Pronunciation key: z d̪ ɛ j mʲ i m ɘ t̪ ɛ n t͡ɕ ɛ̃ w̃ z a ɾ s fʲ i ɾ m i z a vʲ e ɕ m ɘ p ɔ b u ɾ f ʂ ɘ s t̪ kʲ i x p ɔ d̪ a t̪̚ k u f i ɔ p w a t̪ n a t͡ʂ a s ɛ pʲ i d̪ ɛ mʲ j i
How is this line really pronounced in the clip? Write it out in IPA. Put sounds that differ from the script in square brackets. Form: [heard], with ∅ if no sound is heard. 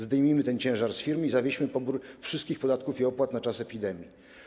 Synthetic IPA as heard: z d̪ ɛ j mʲ i m ɘ t̪ ɛ n t͡ɕ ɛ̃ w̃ [ʐ] a ɾ s fʲ i ɾ m i z a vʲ e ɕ m ɘ p ɔ b u ɾ f ʂ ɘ s t̪ kʲ i x p ɔ d̪ a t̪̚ k u f i ɔ p w a t̪ n a t͡ʂ a s ɛ pʲ i d̪ ɛ mʲ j i